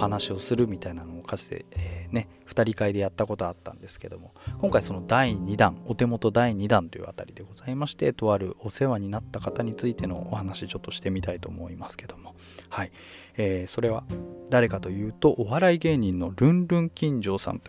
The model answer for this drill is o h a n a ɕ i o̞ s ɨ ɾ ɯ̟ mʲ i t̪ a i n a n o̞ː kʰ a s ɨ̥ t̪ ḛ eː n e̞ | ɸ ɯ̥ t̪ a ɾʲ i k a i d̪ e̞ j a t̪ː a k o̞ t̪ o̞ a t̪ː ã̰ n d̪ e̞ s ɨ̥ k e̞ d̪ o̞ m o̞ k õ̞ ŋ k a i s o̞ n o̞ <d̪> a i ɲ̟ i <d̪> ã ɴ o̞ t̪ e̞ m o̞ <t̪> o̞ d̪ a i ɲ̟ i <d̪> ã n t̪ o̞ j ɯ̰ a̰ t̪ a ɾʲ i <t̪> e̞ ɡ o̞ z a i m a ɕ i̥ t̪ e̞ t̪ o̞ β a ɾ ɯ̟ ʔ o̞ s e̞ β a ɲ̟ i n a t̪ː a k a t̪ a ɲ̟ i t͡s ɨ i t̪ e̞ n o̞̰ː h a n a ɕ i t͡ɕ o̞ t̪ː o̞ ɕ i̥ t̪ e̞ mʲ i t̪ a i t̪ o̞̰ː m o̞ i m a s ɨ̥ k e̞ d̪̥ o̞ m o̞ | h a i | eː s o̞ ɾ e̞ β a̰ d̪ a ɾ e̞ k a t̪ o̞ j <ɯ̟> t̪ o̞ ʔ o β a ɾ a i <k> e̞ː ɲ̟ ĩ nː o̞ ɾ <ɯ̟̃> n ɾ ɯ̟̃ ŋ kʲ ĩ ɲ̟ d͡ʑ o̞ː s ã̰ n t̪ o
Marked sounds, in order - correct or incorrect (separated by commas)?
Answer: correct, correct, correct, correct, incorrect, incorrect, incorrect, correct